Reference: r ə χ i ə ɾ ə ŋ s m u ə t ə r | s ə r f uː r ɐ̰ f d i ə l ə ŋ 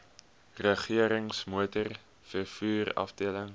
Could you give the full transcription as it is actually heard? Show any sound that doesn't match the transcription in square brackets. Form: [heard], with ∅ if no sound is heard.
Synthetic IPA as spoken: r ə χ i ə ɾ ə ŋ s m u ə t ə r | [f] ə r f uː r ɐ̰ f d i ə l ə ŋ